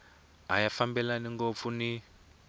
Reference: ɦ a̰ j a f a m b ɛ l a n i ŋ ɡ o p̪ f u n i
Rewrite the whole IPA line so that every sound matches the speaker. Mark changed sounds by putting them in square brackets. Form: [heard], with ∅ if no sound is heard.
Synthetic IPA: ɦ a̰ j a f a m b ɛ l a n i ŋ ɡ o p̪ f u n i